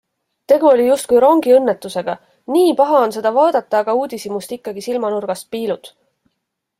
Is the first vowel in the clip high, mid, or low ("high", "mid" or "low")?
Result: mid